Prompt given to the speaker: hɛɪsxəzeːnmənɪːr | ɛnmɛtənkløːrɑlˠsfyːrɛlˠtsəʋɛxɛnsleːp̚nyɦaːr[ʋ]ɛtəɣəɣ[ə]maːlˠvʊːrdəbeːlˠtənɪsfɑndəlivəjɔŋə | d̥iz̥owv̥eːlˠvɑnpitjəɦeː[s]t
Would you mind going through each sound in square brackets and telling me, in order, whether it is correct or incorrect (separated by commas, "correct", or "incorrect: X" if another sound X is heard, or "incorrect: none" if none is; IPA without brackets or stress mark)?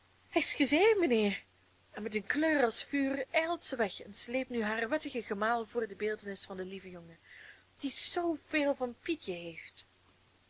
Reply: correct, correct, incorrect: f